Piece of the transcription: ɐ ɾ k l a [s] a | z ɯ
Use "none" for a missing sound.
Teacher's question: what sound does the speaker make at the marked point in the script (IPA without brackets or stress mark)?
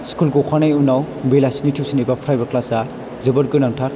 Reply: s